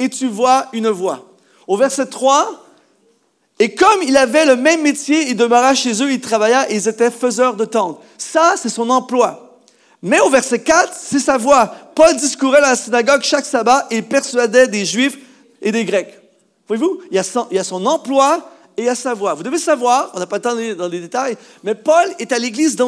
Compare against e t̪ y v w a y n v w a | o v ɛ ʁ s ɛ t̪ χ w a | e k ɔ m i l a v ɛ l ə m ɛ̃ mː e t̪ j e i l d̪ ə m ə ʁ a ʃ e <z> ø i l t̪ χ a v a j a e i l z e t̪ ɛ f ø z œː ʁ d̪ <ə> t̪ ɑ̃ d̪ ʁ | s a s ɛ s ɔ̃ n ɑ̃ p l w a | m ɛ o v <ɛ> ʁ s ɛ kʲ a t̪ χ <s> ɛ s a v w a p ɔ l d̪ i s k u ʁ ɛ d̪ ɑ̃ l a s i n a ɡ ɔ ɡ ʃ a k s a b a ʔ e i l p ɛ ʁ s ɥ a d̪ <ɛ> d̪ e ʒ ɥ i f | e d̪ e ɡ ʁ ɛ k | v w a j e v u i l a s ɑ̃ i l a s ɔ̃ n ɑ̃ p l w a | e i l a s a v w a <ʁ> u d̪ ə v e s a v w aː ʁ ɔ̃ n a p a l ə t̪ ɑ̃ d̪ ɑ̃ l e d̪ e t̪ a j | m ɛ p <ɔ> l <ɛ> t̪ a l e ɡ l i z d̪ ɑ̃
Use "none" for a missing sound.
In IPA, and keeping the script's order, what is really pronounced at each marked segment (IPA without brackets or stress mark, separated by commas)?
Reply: z, ə, ɛ, s, ɛ, v, ɔ, e